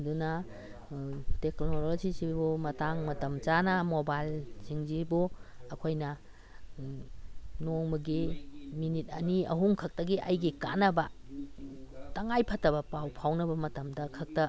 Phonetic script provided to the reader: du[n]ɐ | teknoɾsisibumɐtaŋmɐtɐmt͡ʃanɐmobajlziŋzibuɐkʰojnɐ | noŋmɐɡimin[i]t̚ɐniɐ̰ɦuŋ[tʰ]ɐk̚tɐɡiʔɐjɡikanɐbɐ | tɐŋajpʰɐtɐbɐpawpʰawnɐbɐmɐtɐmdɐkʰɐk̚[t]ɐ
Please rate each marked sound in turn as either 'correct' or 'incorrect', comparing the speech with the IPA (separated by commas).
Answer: correct, correct, incorrect, correct